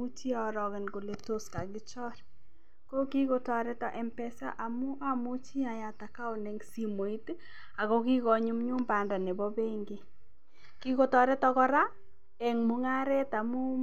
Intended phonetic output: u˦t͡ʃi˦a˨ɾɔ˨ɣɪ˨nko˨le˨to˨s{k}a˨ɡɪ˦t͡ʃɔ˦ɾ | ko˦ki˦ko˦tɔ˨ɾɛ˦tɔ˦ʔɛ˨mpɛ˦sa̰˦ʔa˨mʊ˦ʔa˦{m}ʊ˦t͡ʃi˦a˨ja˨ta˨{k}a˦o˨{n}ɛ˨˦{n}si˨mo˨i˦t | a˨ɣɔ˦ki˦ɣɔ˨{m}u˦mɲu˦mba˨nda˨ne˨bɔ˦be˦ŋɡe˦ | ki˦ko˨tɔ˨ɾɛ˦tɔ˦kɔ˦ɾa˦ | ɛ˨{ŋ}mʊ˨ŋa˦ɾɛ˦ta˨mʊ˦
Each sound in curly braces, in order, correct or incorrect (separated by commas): correct, correct, correct, correct, incorrect, incorrect, correct